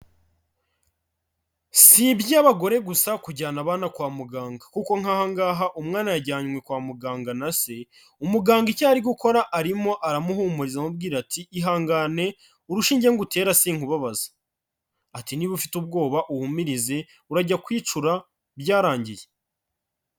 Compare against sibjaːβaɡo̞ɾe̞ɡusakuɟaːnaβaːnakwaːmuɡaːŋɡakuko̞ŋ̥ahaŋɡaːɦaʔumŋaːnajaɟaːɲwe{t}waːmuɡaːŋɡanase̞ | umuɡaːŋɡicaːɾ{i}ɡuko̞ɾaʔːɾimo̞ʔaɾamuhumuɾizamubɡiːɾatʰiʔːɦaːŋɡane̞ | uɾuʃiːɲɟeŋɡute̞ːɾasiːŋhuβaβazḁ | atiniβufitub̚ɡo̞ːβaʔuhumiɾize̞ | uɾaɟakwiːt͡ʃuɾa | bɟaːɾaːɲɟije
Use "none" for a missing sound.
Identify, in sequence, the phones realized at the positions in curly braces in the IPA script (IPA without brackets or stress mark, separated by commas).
k, i